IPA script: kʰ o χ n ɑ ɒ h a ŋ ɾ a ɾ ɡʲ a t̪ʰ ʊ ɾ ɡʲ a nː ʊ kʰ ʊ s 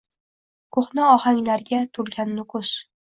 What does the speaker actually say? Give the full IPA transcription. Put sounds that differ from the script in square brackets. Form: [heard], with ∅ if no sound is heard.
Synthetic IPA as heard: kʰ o χ n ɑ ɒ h a ŋ [l] a ɾ ɡʲ a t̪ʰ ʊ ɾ ɡʲ a nː ʊ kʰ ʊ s